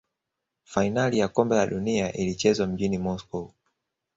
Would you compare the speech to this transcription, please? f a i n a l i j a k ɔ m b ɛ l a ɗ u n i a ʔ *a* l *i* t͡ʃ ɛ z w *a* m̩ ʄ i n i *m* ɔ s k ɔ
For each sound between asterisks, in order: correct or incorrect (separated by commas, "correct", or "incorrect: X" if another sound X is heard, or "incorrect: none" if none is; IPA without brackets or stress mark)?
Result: incorrect: i, correct, correct, correct